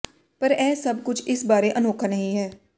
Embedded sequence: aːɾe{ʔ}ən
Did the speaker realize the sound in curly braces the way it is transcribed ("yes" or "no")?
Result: yes